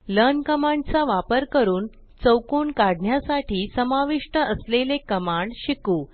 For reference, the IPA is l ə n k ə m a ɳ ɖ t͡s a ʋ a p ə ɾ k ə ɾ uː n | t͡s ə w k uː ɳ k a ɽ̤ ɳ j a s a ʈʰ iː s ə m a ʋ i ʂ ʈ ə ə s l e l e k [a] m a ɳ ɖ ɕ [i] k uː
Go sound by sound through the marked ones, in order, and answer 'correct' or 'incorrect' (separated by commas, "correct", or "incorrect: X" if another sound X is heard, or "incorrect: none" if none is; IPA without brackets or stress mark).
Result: incorrect: ə, correct